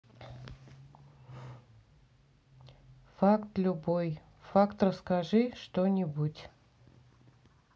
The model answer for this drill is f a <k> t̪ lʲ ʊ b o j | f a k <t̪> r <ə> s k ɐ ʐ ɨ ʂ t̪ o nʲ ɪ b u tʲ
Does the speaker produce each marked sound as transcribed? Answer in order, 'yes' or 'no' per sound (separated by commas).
yes, yes, yes